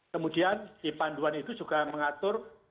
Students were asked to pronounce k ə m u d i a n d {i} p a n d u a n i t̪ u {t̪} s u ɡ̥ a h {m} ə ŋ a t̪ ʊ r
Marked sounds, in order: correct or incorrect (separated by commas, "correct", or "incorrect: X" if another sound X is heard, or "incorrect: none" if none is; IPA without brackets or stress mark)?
correct, incorrect: none, correct